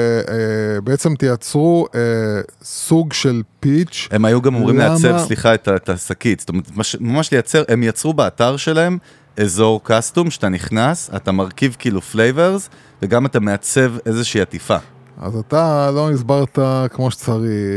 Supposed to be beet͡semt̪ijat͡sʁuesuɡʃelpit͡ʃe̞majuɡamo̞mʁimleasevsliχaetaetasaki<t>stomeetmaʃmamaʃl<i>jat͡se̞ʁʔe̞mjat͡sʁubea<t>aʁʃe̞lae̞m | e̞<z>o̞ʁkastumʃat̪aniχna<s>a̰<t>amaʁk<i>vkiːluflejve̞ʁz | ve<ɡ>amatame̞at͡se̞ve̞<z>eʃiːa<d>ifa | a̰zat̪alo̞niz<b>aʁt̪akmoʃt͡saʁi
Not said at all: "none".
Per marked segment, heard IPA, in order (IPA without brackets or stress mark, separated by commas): t, e, t, z, s, t, i, ɡ, z, t, b